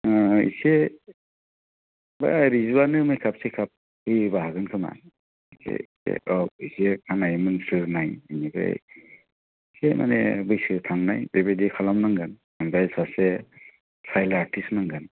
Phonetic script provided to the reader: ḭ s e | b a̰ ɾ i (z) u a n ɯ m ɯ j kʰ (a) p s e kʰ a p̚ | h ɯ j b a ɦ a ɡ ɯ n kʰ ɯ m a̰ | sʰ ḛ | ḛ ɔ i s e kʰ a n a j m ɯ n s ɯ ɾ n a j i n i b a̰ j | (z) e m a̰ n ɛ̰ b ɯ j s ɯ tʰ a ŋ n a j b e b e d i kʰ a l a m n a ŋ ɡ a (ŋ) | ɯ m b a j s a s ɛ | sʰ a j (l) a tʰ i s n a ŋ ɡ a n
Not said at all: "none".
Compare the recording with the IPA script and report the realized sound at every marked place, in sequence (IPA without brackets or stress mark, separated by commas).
z, a, s, n, l